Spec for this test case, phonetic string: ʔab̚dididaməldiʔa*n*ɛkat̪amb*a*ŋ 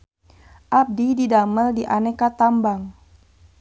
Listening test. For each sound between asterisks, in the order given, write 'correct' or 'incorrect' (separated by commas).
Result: correct, correct